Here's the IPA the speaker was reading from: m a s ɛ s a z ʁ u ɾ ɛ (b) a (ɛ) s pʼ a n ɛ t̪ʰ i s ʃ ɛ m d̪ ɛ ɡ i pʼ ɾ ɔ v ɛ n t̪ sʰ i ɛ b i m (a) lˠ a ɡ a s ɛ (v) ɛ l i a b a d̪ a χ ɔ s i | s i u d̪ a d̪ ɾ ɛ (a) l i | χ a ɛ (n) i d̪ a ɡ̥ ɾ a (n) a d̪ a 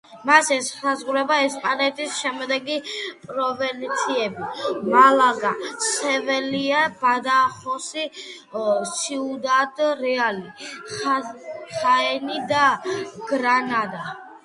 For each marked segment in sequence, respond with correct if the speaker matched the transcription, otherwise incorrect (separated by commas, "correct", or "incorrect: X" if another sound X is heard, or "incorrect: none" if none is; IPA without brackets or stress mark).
correct, correct, correct, correct, correct, correct, correct